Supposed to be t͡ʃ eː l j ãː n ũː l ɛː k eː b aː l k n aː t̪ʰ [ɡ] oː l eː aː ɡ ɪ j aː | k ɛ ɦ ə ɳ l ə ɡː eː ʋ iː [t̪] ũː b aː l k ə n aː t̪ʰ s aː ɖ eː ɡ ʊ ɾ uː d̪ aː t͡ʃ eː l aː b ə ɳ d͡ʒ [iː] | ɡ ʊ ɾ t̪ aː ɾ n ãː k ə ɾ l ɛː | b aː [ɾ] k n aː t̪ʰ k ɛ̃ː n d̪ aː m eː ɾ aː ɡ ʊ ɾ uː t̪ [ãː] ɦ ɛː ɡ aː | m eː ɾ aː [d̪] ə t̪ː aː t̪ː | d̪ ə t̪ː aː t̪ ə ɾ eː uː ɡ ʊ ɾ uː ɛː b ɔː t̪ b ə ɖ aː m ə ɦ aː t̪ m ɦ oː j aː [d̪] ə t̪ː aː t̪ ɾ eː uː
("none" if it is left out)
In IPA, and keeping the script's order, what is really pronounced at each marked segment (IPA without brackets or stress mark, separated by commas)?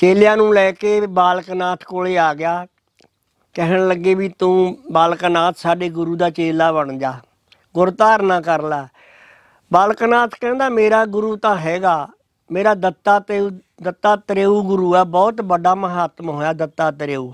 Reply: k, t̪, aː, l, ãː, d̪, d̪